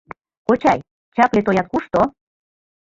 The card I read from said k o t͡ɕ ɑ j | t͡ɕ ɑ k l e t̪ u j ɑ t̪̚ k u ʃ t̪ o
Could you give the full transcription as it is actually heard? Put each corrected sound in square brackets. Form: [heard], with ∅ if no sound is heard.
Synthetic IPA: k o t͡ɕ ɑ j | t͡ɕ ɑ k l e t̪ [o] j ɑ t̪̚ k u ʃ t̪ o